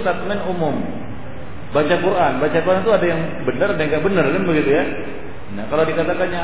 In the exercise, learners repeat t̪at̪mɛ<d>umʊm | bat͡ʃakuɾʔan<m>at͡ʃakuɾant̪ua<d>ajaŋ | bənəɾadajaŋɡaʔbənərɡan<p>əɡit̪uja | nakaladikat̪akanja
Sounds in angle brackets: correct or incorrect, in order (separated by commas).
incorrect, incorrect, correct, incorrect